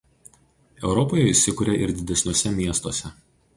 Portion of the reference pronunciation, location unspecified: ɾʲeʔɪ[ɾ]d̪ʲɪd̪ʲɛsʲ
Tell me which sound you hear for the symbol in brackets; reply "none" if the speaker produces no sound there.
ɾ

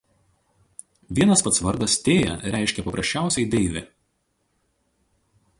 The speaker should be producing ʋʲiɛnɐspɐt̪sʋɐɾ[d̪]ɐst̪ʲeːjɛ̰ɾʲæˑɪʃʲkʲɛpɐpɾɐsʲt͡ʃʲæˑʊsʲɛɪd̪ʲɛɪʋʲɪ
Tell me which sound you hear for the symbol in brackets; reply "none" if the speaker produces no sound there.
d̪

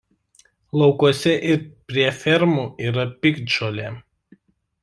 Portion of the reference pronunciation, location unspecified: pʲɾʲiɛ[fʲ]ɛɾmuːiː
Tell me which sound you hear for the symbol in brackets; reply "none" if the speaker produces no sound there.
fʲ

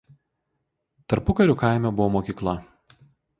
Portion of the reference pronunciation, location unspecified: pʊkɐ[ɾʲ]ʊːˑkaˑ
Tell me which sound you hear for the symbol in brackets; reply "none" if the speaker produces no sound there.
ɾʲ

